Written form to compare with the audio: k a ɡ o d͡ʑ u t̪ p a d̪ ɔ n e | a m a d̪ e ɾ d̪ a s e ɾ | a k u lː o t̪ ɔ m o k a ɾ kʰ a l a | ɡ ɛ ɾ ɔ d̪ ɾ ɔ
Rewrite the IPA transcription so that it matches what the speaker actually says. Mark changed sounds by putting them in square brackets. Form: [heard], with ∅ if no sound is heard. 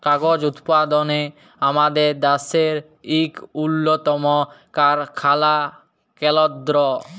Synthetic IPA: k a ɡ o d͡ʑ u t̪ p a d̪ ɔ n e | a m a d̪ e ɾ d̪ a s e ɾ | [i] k u lː o t̪ ɔ m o k a ɾ kʰ a l a | [k] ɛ [l] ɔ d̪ ɾ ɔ